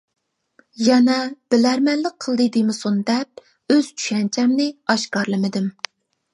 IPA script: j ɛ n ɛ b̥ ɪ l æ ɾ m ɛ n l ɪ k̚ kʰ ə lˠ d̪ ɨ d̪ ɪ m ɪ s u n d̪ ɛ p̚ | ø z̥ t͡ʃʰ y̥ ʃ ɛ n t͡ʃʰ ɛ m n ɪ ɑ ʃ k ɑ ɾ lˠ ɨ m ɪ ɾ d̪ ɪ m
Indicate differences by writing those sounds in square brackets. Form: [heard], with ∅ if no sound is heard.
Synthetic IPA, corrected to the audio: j ɛ n ɛ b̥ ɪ l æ ɾ m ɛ n l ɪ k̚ [qʰ] ə lˠ d̪ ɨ d̪ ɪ m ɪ s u n d̪ ɛ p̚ | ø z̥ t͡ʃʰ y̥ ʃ ɛ n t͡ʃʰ ɛ m n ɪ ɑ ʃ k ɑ ɾ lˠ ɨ m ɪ [∅] d̪ ɪ m